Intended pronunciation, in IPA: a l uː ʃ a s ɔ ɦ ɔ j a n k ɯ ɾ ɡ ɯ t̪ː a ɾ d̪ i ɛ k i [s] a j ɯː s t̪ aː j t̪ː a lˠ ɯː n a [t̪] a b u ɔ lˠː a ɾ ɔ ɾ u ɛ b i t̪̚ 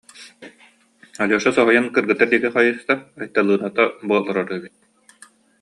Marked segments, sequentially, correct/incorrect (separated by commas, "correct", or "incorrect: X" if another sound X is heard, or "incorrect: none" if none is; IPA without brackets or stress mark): incorrect: χ, correct